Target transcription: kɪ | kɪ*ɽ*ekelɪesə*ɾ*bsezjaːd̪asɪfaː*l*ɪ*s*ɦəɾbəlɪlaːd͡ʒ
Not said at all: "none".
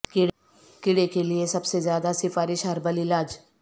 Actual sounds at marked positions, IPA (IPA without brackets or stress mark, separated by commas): ɽ, none, ɾ, ʃ